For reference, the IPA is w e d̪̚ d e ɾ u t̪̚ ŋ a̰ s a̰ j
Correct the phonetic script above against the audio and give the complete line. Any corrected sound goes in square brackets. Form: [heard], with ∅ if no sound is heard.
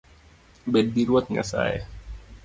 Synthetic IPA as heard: [b] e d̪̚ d [i] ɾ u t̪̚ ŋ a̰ s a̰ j